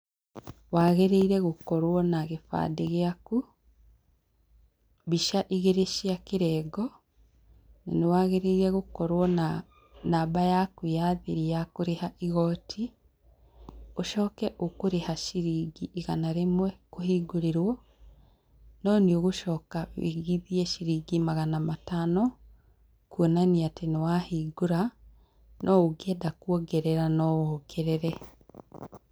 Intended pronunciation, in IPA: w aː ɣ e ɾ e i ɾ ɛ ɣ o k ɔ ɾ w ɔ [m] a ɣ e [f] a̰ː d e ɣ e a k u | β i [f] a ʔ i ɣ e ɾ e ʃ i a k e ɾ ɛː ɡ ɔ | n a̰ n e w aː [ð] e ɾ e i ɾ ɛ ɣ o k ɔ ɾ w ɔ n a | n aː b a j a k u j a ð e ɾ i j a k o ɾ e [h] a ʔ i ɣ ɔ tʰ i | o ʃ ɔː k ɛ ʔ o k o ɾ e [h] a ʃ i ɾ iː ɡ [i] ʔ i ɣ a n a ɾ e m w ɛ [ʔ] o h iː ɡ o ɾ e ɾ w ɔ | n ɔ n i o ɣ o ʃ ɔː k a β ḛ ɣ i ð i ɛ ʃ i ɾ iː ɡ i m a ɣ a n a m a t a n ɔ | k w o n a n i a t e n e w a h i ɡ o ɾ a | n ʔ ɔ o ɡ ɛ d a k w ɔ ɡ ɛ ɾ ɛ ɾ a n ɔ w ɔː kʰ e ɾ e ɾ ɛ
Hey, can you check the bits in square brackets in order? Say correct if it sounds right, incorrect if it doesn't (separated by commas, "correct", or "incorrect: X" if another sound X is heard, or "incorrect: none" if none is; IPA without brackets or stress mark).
incorrect: n, correct, incorrect: ʃ, incorrect: ɣ, correct, correct, correct, incorrect: k